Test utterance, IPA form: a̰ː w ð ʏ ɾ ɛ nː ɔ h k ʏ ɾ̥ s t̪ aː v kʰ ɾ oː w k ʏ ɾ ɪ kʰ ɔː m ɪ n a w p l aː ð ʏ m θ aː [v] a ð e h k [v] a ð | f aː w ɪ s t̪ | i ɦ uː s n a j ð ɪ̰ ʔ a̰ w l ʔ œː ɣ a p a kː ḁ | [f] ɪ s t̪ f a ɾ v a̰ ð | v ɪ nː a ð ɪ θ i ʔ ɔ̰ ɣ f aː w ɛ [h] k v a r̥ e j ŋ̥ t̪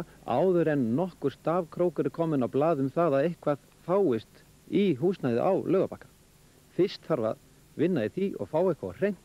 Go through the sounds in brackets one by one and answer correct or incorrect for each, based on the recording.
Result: incorrect, correct, correct, correct

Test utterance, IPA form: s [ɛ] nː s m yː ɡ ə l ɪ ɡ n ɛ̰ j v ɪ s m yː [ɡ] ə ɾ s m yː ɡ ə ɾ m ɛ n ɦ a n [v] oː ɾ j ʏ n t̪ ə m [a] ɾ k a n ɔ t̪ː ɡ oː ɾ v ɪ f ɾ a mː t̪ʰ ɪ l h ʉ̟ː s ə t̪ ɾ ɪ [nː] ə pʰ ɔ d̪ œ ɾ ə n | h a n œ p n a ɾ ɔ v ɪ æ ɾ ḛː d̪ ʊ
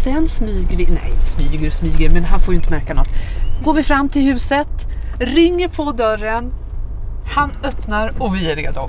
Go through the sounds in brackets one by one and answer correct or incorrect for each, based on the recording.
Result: correct, correct, incorrect, incorrect, incorrect

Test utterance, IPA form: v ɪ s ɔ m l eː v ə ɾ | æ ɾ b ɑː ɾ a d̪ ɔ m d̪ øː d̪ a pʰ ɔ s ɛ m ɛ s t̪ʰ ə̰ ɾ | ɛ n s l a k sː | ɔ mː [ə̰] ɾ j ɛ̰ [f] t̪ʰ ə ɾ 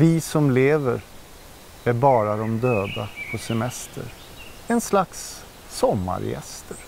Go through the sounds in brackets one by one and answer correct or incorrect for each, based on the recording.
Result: incorrect, incorrect

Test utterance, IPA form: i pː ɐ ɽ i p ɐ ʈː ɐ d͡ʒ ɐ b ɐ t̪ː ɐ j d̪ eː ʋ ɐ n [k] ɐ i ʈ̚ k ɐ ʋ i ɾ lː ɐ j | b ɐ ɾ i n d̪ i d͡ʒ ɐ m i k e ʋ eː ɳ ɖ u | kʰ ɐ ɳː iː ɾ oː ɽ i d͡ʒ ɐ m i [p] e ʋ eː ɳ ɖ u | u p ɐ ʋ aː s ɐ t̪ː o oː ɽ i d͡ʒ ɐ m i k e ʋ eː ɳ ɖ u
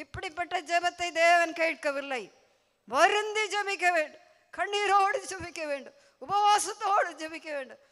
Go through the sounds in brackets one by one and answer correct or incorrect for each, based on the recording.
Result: correct, incorrect

